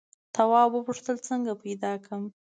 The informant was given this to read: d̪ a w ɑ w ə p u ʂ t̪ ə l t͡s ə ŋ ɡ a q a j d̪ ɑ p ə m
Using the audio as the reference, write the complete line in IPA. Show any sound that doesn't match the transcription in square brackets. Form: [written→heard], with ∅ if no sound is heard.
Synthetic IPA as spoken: [d̪→t̪] a w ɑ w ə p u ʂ t̪ ə l t͡s ə ŋ ɡ a [q→p] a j d̪ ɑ [p→k] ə m